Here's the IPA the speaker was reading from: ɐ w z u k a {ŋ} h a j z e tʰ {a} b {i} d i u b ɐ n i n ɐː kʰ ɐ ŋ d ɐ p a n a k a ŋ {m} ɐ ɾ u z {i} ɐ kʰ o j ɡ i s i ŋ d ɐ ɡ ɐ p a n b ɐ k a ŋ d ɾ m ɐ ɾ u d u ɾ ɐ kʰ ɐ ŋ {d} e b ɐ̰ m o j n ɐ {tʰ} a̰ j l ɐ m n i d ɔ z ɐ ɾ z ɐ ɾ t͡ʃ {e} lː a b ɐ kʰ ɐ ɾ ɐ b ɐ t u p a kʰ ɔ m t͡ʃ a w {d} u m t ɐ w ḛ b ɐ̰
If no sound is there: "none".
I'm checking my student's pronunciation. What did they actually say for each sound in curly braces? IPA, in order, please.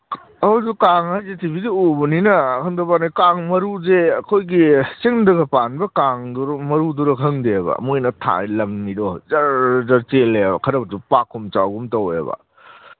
ŋ, i, i, m, e, d, tʰ, e, ɡ

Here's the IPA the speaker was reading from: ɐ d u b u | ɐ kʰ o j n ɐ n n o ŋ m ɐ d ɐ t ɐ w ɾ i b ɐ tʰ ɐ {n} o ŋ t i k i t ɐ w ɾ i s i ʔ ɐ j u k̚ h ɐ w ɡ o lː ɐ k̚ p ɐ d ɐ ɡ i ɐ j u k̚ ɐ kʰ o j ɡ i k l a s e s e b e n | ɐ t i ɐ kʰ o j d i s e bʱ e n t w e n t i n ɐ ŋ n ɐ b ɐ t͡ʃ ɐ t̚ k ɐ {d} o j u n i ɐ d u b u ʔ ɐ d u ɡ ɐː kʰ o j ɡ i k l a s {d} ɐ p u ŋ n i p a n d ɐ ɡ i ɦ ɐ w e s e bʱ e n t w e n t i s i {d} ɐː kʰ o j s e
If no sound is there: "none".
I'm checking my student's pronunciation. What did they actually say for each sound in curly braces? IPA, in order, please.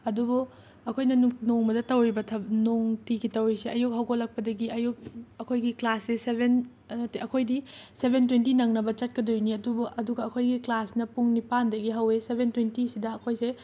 n, d, n, d

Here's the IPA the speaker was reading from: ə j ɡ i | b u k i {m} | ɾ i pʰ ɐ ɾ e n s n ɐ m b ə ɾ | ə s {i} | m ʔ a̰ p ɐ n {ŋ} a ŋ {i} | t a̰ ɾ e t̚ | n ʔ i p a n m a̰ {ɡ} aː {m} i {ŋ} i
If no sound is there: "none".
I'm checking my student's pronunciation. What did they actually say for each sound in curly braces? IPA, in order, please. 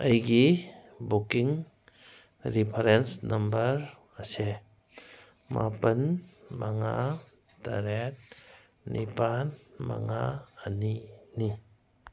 ŋ, e, m, a, ŋ, n, n

